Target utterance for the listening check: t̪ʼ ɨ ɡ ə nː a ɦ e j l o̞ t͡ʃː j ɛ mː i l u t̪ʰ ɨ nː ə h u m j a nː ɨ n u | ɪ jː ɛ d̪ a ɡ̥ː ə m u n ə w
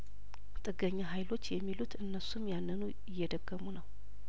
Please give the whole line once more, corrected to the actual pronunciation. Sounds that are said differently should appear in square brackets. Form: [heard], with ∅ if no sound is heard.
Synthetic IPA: t̪ʼ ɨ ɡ ə [ɲː] a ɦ [a] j l o̞ t͡ʃː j ɛ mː i l u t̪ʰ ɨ nː ə [s] u m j a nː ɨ n u | ɪ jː ɛ d̪ [ə] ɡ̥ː ə m u n ə w